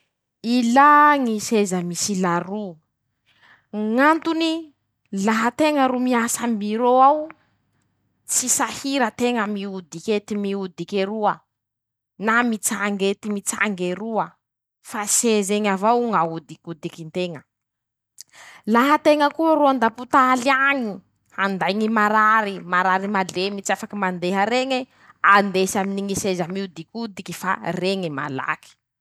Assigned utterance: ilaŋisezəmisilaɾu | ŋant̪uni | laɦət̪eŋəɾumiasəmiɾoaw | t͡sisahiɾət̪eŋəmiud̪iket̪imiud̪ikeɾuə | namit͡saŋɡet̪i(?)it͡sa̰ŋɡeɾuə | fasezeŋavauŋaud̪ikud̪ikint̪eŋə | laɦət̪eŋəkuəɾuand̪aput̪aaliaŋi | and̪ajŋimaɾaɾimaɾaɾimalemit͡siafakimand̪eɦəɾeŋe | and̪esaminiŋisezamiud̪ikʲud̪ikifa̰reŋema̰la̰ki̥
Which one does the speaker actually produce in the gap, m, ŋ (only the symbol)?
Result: m